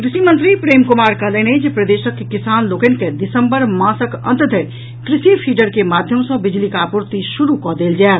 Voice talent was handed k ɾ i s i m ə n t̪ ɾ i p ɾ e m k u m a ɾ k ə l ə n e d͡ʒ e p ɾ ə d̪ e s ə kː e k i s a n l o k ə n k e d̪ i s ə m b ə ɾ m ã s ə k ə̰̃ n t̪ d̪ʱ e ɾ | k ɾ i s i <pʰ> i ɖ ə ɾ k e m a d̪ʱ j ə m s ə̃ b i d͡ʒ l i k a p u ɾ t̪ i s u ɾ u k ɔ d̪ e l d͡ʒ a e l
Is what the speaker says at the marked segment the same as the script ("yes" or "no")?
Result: yes